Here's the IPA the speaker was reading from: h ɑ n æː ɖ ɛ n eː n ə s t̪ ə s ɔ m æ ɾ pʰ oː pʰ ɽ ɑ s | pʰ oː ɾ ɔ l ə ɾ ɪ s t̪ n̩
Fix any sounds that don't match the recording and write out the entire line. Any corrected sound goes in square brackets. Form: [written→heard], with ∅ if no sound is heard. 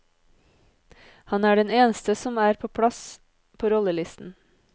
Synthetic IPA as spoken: h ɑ n æː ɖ ɛ n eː n ə s t̪ ə s ɔ m [æ→æː] ɾ pʰ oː pʰ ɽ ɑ s | pʰ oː ɾ ɔ l ə [ɾ→l] ɪ s t̪ n̩